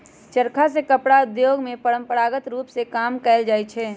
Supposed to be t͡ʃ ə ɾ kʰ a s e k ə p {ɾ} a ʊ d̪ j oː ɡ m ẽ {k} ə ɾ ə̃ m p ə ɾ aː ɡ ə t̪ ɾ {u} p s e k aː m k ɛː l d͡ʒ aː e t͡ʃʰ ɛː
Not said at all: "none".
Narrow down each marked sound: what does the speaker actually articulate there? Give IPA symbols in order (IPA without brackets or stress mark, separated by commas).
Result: ɽ, p, uː